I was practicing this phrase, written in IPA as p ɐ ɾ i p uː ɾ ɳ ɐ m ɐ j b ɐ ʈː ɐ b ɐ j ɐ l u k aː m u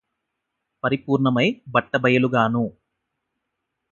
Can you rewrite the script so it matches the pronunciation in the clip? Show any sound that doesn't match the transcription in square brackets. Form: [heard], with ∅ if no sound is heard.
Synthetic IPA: p ɐ ɾ i p uː ɾ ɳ ɐ m ɐ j b ɐ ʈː ɐ b ɐ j ɐ l u [ɡ] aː [n] u